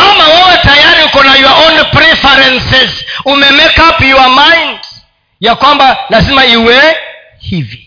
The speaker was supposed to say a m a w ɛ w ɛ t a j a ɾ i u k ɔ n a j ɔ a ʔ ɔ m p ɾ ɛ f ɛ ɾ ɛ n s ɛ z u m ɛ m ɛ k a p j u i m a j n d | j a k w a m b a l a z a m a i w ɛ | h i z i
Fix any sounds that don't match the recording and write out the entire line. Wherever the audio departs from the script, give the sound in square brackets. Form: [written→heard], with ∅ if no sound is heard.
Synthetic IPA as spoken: a m a w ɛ w ɛ t a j a ɾ i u k ɔ n a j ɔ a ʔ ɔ [m→n] p ɾ ɛ f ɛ ɾ ɛ n s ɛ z u m ɛ m ɛ k a p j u [i→a] m a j n d | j a k w a m b a l a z [a→i] m a i w ɛ | h i [z→v] i